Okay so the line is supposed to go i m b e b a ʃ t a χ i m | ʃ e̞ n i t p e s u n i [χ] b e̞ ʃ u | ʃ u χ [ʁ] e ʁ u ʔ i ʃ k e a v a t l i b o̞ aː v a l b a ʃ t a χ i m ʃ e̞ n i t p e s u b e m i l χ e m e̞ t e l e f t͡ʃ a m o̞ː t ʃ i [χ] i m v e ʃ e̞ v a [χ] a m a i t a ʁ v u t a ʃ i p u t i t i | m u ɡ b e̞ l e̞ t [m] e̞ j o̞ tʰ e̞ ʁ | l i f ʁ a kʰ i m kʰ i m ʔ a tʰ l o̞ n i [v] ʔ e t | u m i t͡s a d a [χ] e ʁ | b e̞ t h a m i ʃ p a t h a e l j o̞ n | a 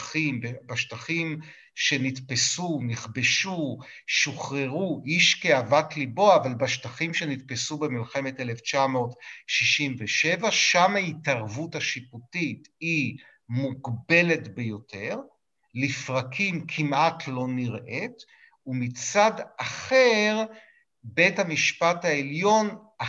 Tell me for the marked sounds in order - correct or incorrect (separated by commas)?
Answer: correct, correct, incorrect, incorrect, incorrect, incorrect, correct